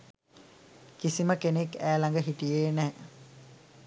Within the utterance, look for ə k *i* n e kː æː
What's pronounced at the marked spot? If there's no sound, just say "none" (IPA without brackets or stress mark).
e